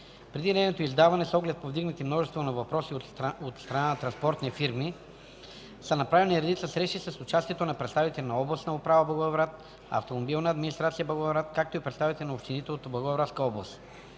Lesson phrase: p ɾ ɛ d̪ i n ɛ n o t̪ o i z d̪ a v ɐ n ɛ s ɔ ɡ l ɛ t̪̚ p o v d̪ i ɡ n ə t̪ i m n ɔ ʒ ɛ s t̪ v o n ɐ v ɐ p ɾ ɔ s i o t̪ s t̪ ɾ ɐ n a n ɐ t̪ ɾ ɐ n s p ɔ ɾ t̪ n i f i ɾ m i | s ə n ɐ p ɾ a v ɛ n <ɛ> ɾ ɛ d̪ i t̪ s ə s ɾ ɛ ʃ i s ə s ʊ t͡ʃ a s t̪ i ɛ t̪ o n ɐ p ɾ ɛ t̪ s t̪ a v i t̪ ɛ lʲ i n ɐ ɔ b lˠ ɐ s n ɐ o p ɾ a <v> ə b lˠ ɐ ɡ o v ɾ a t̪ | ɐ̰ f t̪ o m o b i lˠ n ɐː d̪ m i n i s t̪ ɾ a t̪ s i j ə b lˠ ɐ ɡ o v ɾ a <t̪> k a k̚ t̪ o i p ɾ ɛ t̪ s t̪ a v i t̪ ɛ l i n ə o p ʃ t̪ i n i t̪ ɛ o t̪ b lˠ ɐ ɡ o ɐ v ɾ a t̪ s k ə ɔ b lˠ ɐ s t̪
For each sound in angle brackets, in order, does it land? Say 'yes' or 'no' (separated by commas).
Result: no, yes, yes